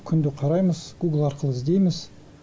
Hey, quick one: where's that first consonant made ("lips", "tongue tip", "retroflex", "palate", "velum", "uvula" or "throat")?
velum